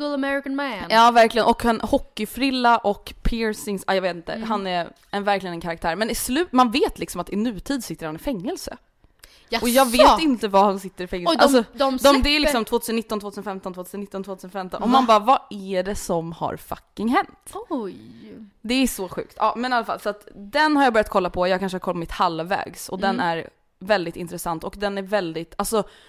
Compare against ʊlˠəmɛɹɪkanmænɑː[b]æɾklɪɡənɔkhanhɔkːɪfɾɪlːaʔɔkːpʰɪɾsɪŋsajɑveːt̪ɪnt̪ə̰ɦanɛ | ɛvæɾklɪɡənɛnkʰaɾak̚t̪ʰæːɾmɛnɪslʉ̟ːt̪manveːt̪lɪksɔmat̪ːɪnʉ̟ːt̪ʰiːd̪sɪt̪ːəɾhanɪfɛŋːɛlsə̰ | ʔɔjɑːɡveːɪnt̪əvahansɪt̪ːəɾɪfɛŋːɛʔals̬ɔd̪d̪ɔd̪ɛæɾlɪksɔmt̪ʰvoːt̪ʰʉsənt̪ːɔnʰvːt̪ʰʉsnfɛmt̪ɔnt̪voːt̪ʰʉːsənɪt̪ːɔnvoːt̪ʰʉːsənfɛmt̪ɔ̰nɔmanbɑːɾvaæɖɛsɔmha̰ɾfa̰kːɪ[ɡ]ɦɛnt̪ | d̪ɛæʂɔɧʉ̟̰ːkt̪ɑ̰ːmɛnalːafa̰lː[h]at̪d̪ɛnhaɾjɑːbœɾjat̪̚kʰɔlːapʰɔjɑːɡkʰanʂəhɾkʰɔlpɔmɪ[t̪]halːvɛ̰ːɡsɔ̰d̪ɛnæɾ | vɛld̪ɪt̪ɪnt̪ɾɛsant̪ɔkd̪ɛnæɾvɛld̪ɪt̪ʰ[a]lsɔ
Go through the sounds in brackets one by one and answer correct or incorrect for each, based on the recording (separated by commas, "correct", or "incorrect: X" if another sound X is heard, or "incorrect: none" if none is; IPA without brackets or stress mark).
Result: incorrect: v, incorrect: ŋ, incorrect: s, correct, correct